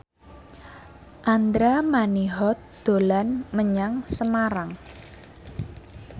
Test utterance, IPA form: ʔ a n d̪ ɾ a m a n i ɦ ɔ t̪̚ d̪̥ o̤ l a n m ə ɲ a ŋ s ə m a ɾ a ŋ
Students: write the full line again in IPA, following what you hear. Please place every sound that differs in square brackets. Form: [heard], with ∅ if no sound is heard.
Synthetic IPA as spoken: ʔ a n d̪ ɾ a m a n i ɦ ɔ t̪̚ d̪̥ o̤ l a n m ə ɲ a ŋ s ə m a ɾ a ŋ

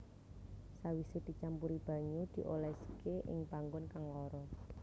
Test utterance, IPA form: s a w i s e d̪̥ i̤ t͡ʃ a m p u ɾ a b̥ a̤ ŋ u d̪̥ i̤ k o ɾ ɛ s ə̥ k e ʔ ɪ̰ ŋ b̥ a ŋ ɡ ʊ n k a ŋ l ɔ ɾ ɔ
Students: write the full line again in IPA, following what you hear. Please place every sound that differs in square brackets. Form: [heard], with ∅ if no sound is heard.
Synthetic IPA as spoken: s a w i s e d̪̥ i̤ t͡ʃ a m p u ɾ [i] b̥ a̤ [ɲ] u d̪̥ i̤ [ʔ] o [l] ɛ s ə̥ k e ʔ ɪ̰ ŋ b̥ a ŋ ɡ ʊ n k a ŋ l ɔ ɾ ɔ

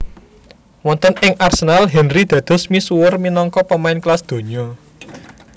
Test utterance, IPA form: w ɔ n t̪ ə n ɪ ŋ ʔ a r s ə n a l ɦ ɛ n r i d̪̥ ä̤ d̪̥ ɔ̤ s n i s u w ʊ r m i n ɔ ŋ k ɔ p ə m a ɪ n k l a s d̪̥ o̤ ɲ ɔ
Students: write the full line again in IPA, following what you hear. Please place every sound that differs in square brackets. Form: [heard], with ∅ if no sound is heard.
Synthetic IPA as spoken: w ɔ n t̪ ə n ɪ ŋ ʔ a r s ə n a l ɦ ɛ n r i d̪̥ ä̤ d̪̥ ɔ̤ s [m] i s u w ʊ r m i n ɔ ŋ k ɔ p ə m a ɪ n k l a s d̪̥ o̤ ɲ ɔ

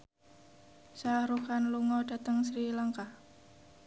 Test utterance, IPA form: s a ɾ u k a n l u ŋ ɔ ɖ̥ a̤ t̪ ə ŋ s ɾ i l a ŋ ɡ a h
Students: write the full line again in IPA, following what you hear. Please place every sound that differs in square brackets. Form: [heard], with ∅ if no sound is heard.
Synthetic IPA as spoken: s a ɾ u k a n l u ŋ ɔ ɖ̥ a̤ t̪ ə ŋ s ɾ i l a ŋ [k] a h

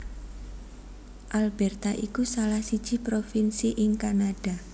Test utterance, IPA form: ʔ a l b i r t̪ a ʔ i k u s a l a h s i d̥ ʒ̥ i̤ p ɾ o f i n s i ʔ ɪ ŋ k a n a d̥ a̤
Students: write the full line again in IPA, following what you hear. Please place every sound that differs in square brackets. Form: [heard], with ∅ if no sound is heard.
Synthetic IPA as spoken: ʔ a l b [ɛ] r t̪ a ʔ i k u s a l a h s i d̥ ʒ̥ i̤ p ɾ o f i n s i ʔ ɪ ŋ k a n a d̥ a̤

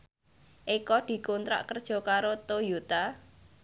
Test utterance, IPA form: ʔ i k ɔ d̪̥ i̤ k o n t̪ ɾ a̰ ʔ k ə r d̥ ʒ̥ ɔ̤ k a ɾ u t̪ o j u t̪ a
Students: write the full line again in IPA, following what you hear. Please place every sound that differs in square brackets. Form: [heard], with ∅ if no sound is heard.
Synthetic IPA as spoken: ʔ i k ɔ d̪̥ i̤ k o n t̪ ɾ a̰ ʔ k ə r d̥ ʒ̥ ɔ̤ k a ɾ [o] t̪ o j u t̪ a

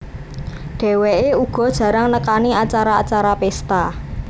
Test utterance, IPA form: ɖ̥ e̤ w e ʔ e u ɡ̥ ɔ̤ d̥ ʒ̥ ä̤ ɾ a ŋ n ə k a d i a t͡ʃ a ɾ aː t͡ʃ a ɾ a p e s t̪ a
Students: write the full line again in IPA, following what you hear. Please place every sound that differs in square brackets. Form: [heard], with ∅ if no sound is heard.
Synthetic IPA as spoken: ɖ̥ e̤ w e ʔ e u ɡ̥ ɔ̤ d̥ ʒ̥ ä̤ ɾ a ŋ n ə k a [n] i a t͡ʃ a ɾ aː t͡ʃ a ɾ a p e s t̪ a

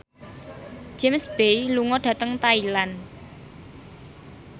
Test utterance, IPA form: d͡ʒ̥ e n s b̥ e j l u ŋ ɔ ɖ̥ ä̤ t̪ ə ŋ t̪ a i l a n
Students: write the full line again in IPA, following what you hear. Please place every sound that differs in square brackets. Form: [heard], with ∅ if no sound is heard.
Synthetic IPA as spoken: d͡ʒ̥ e [m] s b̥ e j l u ŋ ɔ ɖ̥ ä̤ t̪ ə ŋ t̪ a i l a n

